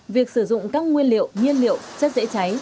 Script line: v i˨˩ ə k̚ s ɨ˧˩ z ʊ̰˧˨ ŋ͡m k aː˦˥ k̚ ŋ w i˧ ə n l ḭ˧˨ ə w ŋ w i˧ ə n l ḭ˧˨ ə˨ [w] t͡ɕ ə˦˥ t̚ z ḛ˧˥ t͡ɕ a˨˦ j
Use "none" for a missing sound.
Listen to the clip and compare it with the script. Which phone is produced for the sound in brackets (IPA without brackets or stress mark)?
w